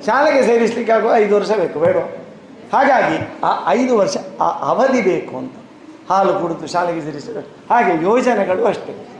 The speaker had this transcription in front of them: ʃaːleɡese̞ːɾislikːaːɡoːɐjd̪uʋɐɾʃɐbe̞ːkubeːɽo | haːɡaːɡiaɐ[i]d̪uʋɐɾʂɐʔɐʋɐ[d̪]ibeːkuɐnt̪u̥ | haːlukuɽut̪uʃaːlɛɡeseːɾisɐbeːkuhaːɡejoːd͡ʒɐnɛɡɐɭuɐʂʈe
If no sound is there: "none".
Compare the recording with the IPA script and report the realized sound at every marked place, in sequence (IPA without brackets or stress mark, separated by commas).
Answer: j, d̪